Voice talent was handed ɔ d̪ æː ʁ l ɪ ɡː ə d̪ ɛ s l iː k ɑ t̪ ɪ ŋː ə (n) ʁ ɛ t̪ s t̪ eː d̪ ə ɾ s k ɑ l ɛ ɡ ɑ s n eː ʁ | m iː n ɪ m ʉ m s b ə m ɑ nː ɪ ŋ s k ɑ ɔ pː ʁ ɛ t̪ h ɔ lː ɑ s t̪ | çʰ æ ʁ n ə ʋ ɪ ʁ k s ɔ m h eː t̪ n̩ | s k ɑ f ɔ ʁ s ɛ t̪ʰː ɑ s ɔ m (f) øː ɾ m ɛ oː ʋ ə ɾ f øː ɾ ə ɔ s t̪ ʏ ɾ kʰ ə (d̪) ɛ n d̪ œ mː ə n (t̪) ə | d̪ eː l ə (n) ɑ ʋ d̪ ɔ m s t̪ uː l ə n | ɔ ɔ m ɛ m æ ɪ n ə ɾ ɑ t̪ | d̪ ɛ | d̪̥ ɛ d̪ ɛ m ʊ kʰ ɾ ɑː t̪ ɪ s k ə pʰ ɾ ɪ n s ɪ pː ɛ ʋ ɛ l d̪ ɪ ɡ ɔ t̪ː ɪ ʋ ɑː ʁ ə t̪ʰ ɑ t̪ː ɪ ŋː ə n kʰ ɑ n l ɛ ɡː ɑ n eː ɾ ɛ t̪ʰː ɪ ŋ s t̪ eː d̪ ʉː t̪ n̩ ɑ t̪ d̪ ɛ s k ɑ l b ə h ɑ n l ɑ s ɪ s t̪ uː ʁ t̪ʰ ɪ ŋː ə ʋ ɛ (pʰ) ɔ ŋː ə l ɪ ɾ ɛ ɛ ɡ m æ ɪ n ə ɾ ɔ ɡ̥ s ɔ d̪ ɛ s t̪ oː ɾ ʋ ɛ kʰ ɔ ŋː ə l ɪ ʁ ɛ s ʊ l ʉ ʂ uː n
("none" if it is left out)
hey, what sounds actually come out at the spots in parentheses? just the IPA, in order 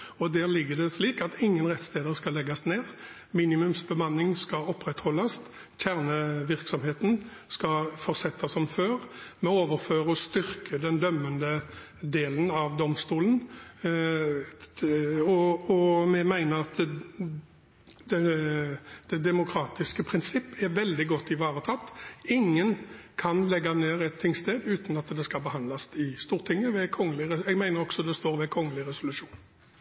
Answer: n, f, d̪, d̪, n, kʰ

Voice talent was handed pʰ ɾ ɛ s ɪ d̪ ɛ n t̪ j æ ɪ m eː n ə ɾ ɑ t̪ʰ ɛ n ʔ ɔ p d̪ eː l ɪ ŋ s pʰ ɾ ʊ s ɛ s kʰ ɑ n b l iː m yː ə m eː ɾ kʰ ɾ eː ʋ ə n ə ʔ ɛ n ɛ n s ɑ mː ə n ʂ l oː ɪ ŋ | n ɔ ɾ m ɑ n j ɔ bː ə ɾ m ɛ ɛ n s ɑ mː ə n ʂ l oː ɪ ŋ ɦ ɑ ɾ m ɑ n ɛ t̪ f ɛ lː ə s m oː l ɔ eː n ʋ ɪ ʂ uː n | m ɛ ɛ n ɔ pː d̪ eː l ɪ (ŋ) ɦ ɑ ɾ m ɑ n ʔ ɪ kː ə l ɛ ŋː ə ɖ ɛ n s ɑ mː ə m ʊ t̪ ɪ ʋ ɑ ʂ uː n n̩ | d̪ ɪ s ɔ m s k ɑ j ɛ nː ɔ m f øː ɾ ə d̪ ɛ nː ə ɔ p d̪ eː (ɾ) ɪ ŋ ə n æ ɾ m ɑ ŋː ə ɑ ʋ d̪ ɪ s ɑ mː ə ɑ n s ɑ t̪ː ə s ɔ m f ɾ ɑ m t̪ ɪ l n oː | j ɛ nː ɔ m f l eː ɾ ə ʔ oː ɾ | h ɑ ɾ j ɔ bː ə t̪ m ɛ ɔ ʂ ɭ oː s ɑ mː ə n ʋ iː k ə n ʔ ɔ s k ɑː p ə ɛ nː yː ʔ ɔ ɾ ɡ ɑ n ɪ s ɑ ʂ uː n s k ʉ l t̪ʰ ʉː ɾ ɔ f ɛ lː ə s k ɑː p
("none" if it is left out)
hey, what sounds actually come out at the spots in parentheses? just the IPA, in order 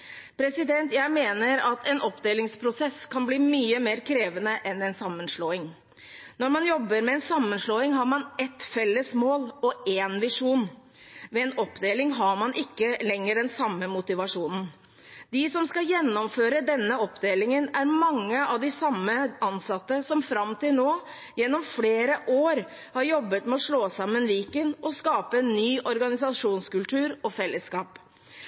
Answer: ŋ, l

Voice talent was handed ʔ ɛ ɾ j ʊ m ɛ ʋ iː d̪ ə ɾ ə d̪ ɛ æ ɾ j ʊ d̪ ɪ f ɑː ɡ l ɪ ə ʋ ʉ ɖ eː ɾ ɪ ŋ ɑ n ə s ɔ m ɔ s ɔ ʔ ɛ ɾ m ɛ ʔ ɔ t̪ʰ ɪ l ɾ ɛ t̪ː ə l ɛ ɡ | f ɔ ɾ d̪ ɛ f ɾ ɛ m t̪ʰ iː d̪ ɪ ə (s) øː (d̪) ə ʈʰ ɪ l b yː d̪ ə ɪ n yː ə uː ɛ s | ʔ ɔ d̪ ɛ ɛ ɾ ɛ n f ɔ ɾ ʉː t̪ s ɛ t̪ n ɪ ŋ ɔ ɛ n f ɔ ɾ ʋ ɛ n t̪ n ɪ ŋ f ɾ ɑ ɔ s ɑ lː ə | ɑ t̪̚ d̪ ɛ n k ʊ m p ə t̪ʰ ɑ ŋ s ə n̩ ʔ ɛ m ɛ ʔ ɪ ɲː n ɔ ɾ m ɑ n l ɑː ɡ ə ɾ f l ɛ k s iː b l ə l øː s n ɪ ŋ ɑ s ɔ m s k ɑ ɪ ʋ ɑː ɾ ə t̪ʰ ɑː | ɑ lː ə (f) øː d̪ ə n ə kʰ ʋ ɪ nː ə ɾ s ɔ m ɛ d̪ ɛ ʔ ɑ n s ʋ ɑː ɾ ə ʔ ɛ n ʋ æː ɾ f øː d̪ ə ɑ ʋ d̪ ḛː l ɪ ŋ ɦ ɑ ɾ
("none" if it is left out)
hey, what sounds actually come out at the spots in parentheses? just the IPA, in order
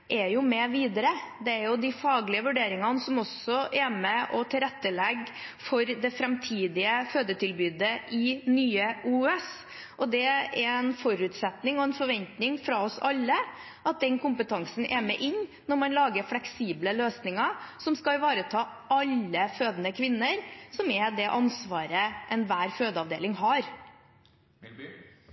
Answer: f, d̪, f

